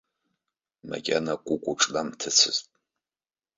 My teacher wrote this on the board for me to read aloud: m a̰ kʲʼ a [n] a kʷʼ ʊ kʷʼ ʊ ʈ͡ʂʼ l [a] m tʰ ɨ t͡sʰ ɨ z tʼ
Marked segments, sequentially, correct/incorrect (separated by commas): correct, correct